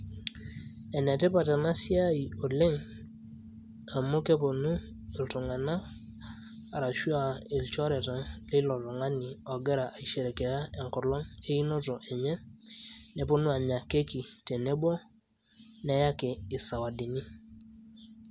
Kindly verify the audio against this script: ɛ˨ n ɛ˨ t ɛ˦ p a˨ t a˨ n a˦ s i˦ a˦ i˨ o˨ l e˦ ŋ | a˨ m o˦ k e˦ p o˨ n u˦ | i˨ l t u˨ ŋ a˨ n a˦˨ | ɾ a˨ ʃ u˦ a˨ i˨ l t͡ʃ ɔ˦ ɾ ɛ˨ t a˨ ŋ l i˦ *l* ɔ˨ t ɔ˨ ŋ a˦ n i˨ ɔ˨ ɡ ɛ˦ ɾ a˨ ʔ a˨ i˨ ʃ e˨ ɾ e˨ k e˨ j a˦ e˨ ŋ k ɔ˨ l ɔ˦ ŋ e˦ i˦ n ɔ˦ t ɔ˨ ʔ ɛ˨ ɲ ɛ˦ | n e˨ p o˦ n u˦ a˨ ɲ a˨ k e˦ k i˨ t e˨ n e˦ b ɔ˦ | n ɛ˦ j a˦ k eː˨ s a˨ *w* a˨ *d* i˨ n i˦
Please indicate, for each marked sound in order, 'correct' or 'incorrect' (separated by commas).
correct, correct, correct